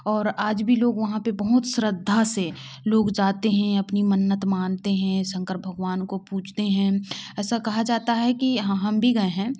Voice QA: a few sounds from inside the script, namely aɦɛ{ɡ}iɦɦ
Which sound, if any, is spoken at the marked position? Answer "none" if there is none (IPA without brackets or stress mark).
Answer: k